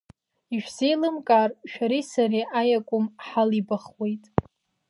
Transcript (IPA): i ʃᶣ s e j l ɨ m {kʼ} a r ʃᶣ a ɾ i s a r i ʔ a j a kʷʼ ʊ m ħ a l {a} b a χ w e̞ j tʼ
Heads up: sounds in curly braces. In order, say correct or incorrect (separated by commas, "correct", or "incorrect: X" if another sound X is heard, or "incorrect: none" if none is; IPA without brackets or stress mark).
correct, incorrect: i